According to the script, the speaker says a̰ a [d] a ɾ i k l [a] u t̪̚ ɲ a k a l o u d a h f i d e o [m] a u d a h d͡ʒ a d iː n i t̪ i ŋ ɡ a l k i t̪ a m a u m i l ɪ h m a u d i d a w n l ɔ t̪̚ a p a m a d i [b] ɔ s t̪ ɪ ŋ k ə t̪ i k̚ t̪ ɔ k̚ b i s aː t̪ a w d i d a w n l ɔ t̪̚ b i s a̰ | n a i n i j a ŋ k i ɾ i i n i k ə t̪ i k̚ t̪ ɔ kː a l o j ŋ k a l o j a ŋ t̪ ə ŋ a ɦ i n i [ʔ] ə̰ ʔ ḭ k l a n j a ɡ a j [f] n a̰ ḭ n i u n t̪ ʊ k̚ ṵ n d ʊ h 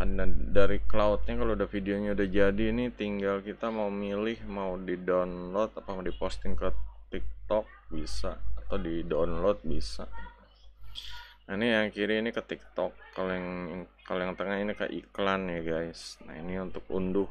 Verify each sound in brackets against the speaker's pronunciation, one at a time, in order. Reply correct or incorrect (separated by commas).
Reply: correct, correct, incorrect, incorrect, incorrect, incorrect